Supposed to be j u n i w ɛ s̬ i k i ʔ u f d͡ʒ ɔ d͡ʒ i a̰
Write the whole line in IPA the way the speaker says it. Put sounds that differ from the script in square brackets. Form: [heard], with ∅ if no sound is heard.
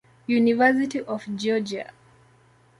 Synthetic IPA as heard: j u n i [v] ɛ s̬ i [t] i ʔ [ɔ] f d͡ʒ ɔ d͡ʒ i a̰